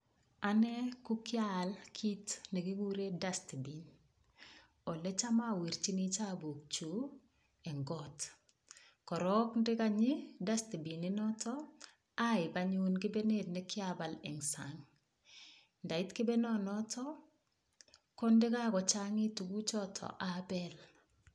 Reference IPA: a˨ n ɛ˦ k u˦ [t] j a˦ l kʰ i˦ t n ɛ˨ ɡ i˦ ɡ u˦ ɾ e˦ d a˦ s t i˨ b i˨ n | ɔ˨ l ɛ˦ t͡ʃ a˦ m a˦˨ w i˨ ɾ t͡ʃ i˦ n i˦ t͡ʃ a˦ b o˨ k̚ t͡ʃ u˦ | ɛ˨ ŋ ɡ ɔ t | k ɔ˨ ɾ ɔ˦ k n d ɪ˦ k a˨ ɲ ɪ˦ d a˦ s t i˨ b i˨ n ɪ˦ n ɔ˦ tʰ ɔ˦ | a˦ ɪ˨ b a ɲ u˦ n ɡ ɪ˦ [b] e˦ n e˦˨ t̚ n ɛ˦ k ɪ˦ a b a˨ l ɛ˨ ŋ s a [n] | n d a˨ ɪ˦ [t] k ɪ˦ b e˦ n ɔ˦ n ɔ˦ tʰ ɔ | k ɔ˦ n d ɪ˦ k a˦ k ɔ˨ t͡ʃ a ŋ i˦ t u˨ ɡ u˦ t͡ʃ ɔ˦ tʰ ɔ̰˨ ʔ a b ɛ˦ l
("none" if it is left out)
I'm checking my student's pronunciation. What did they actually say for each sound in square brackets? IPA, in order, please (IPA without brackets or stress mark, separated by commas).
k, b, ŋ, t